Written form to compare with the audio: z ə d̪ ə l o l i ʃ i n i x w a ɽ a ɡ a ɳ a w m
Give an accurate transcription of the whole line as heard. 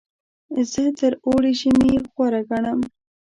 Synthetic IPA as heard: z ə t̪ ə ɾ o ɽ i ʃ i m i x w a ɾ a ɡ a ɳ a m

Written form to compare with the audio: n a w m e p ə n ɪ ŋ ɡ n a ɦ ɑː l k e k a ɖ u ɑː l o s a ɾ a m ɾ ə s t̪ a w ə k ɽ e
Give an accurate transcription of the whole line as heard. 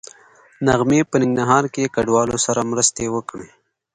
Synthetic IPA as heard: n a ɣ m e p ə n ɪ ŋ ɡ n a ɦ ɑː ɾ k e k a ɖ w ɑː l o s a ɾ a m ɾ ə s t̪ e w ə k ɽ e

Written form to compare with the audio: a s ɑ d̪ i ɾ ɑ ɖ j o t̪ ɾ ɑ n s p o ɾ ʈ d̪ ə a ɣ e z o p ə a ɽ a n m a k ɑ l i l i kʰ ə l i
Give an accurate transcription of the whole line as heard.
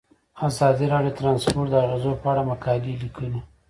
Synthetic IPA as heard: a z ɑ d̪ i ɾ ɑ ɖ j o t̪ ɾ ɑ n s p o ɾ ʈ d̪ ə a ɣ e z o p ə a ɽ a m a k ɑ l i l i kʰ ə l i

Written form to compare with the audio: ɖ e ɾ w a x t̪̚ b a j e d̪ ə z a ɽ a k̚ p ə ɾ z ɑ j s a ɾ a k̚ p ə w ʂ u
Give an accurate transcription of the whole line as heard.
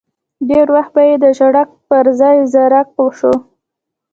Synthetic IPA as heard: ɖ e ɾ w a x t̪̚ b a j e d̪ ə ʒ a ɽ a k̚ p ə ɾ z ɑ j z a ɾ a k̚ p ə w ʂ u

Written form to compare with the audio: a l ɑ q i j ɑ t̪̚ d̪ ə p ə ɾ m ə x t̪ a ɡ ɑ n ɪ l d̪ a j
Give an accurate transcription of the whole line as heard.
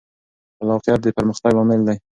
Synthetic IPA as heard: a l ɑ q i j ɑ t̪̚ d̪ ə p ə ɾ m ə x t̪ a ɡ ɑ m ɪ l d̪ a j

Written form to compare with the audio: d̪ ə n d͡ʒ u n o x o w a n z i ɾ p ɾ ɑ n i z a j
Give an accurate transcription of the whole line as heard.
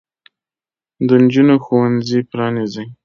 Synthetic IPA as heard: d̪ ə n d͡ʒ u n o x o w a n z i p ɾ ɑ n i z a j

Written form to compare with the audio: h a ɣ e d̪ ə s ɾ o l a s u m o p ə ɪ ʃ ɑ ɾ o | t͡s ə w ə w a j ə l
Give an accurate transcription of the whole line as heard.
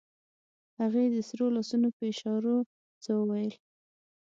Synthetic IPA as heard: h a ɣ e d̪ ə s ɾ o l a s u n o p ə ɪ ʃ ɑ ɾ o | t͡s ə w ə w a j ə l

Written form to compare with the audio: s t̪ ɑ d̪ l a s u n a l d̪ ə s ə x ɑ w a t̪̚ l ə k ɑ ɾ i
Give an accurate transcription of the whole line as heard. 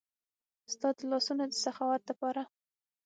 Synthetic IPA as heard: s t̪ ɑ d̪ l ɑ s u n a d̪ ə s a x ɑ w a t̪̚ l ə p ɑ ɾ a

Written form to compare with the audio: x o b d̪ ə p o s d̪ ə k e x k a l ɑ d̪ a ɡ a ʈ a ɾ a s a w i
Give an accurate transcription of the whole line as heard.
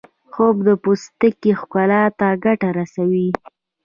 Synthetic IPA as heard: x o b d̪ ə p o s t̪ ə k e x k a l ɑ t̪ a ɡ a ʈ a ɾ a s a w i

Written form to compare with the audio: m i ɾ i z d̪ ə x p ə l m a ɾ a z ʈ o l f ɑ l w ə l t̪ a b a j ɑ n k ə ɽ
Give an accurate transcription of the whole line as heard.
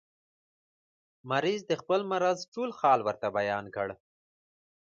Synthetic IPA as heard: m a ɾ i z d̪ ə x p ə l m a ɾ a z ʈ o l x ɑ l w ə ɾ t̪ a b a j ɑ n k ə ɽ

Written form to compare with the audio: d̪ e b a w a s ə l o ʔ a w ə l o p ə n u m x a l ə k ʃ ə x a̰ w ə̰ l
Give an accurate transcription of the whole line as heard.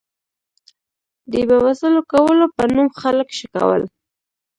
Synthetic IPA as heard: d̪ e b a w a s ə l o k a w ə l o p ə n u m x a l ə k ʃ ə k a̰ w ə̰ l

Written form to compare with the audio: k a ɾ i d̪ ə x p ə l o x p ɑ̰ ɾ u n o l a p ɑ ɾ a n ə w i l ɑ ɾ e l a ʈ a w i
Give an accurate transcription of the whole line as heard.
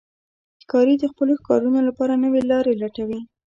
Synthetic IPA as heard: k ɑ ɾ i d̪ ə x p ə l o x k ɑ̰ ɾ u n o l a p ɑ ɾ a n ə w e l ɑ ɾ e l a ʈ a w i

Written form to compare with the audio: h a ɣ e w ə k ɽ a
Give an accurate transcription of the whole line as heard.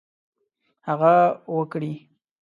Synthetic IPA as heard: h a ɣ a w ə k ɽ i

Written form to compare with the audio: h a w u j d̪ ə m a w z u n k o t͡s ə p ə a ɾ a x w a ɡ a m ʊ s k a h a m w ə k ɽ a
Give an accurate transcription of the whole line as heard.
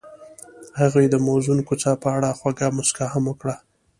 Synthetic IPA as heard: h a ɣ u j d̪ ə m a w z u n k o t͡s ɑ p ə a ɽ a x w a ɡ a m ʊ s k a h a m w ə k ɽ a

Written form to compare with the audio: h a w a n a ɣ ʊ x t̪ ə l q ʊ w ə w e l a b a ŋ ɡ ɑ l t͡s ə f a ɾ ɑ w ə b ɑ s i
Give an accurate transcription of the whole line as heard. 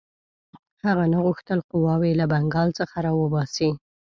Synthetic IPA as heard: h a ɣ a n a ɣ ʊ x t̪ ə l q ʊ w ɑ w e l a b a ŋ ɡ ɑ l t͡s ə x a ɾ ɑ w ə b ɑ s i

